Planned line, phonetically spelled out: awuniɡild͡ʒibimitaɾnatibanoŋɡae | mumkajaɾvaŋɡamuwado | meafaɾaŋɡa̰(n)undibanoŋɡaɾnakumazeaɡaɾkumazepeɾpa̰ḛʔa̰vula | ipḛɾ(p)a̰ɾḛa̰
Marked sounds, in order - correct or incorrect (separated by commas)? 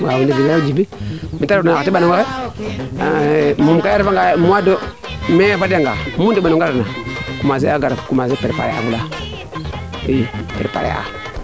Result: incorrect, correct